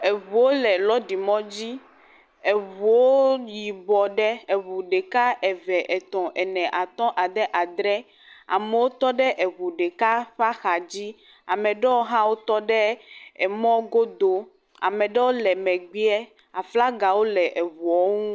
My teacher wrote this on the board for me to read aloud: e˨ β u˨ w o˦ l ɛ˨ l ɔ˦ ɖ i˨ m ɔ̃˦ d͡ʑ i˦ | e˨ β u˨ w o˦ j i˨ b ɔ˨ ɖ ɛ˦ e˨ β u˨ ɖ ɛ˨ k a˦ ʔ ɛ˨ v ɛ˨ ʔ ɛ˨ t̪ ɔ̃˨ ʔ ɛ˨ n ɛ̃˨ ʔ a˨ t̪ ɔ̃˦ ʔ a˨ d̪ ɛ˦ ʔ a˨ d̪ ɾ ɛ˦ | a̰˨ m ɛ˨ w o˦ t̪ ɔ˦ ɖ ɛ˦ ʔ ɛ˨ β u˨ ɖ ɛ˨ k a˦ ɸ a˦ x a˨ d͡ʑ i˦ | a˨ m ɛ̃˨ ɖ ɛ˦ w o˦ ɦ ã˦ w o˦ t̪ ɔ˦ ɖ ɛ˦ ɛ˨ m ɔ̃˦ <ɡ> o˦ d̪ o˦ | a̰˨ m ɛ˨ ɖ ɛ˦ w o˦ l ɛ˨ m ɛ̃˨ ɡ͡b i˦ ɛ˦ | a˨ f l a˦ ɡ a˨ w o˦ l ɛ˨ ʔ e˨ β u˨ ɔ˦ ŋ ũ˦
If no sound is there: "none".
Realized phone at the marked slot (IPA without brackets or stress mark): ɡ